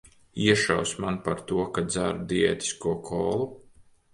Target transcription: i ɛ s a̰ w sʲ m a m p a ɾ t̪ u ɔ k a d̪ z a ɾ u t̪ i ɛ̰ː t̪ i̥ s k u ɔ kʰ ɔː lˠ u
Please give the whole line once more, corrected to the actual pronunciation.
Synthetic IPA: i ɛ ʃ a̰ w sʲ m a n p a ɾ t̪ u ɔ k a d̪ z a ɾ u d̪ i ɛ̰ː t̪ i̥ s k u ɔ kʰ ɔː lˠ u